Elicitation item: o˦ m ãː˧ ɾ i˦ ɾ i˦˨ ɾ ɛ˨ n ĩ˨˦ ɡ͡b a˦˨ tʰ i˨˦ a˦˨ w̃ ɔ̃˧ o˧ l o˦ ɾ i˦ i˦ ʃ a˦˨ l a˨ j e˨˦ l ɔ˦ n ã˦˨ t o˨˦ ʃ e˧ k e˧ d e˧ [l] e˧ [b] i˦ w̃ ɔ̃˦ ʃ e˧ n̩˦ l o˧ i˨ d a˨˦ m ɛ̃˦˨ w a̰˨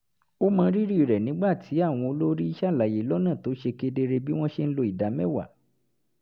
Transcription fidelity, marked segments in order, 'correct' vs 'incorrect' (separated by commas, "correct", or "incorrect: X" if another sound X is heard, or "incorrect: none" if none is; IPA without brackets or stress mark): incorrect: ɾ, correct